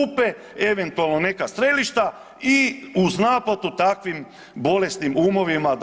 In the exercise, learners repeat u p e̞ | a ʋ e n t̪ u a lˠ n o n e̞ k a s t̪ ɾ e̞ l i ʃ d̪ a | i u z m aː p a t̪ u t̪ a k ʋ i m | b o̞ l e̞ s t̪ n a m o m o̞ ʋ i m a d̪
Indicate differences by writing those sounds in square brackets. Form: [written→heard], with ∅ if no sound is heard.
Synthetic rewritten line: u p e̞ | [a→e] ʋ e n t̪ u a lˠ n o n e̞ k a s t̪ ɾ e̞ l i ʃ [d̪→t̪] a | i u z [m→n] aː p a t̪ u t̪ a k ʋ i m | b o̞ l e̞ s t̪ n [a→i] m [o→u] m o̞ ʋ i m a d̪